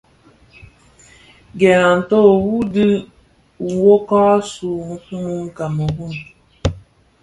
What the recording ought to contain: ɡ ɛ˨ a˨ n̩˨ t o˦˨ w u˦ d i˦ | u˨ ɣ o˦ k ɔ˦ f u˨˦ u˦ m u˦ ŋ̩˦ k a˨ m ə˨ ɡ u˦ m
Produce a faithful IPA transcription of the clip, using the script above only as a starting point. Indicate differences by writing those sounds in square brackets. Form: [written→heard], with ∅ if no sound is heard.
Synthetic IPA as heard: ɡ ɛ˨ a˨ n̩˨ t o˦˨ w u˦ d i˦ | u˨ [ɣ→w] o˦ k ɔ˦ [f→s] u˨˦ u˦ m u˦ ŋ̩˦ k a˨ m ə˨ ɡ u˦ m